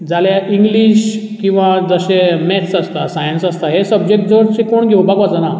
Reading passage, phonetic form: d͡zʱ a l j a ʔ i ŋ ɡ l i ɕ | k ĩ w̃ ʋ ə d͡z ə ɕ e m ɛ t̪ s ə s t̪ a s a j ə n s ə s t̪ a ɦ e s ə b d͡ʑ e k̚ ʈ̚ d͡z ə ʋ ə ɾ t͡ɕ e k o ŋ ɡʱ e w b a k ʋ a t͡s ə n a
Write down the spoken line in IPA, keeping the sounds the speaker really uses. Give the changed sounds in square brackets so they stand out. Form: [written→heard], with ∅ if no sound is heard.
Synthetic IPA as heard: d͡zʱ a l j a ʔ i ŋ ɡ l i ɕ | k ĩ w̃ ʋ [ə→a] d͡z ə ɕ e m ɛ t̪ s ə s t̪ a s a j ə n s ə s t̪ a ɦ e s ə b d͡ʑ e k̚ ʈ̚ d͡z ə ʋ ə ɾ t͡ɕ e k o [ŋ→ɳ] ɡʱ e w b a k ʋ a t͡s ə n a